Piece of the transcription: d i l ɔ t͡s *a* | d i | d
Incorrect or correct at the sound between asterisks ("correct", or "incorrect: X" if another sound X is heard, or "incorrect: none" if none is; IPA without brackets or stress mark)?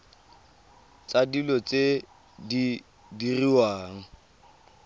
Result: incorrect: e